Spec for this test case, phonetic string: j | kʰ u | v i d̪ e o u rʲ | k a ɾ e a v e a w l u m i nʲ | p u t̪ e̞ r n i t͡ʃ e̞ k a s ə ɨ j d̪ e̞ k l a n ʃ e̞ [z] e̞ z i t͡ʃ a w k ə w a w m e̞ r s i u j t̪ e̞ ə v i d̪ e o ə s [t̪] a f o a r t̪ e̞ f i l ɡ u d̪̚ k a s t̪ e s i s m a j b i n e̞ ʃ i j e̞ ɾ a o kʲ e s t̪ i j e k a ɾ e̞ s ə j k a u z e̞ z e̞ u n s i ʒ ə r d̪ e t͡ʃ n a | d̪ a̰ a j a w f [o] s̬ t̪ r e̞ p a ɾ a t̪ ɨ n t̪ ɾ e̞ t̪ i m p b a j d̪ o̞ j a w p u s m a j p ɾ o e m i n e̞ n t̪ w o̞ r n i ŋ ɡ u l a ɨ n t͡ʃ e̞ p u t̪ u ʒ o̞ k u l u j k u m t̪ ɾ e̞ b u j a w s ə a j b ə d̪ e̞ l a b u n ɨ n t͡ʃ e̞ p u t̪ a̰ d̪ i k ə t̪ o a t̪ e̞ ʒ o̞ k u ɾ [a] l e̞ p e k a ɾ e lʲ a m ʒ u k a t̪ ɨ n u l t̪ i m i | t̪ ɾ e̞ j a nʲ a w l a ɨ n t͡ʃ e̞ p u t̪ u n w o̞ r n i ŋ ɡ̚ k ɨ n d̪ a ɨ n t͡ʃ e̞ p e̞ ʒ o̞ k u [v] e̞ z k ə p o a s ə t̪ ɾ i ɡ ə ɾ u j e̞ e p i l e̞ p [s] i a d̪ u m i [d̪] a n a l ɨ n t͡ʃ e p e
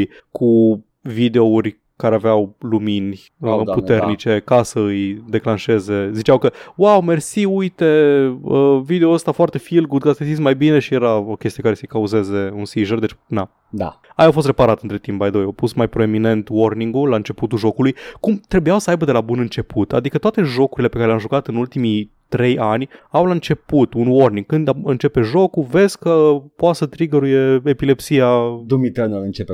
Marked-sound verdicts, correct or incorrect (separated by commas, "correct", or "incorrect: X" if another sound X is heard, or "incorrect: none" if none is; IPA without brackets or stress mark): correct, correct, correct, incorrect: i, correct, correct, incorrect: t̪